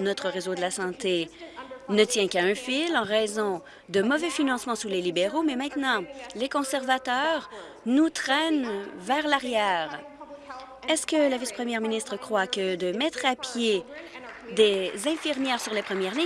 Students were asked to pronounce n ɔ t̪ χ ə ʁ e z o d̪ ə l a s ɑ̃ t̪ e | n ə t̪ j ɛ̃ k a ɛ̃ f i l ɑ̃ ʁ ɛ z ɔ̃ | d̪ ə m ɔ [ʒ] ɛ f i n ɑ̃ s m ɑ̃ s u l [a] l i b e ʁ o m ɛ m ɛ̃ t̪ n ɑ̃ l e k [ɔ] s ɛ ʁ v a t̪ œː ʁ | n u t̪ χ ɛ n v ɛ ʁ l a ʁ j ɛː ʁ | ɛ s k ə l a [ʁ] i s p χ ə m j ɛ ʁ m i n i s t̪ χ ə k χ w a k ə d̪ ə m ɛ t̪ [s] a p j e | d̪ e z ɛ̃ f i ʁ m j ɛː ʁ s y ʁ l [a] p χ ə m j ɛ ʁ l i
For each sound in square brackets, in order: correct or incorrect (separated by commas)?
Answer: incorrect, incorrect, incorrect, incorrect, incorrect, incorrect